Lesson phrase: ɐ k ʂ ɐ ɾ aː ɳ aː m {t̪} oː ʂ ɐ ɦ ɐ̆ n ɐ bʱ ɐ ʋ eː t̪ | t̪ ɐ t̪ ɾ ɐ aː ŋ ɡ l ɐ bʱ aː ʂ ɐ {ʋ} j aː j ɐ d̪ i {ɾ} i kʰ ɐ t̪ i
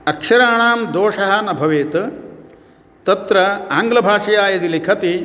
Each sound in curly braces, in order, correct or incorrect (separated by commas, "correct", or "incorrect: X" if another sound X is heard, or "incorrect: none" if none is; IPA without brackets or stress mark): incorrect: d̪, incorrect: none, incorrect: l